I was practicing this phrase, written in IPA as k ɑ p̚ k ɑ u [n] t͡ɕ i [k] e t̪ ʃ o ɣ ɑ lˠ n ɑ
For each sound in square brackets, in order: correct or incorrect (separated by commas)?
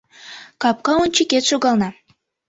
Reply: correct, correct